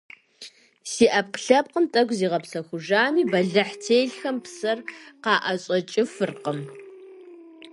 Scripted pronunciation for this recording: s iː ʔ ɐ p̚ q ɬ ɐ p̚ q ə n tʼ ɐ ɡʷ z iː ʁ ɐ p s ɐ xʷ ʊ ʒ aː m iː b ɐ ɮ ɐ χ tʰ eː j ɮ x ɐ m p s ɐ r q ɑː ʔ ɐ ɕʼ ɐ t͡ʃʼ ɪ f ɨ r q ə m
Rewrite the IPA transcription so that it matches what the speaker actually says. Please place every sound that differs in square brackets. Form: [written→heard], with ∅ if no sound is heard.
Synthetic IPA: s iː ʔ ɐ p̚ q ɬ ɐ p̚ q ə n tʼ ɐ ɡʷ z iː ʁ ɐ p s ɐ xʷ ʊ ʒ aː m iː b ɐ ɮ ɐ [χ→ħ] tʰ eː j ɮ x ɐ m p s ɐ r q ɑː ʔ ɐ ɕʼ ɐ t͡ʃʼ ɪ f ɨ r q ə m